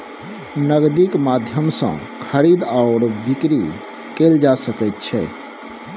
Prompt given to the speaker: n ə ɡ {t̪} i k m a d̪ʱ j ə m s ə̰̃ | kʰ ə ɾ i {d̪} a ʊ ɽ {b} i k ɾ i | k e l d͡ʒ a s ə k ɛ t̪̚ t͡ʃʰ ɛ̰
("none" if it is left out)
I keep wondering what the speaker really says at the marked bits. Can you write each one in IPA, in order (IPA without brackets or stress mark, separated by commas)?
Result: d̪, d̪, b